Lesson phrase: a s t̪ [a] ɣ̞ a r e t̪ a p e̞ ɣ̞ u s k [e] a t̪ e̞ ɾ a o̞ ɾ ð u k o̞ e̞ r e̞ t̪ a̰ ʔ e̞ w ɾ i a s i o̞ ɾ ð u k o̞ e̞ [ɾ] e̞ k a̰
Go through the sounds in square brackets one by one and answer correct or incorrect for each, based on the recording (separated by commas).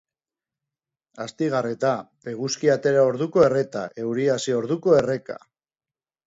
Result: incorrect, incorrect, incorrect